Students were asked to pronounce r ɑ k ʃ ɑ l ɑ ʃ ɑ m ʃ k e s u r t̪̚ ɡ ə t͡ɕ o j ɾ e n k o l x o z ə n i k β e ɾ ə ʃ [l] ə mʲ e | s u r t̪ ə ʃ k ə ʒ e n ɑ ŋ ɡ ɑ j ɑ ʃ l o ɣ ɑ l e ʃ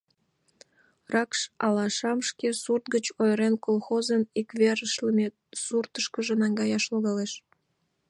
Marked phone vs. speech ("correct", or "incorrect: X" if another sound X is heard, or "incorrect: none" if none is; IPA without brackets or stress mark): correct